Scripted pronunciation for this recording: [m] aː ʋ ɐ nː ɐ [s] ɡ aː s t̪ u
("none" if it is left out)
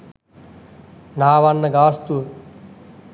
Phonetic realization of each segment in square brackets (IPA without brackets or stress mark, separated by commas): n, none